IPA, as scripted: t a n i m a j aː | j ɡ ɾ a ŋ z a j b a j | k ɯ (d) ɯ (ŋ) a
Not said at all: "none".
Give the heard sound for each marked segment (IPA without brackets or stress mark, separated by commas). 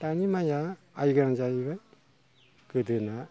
d, n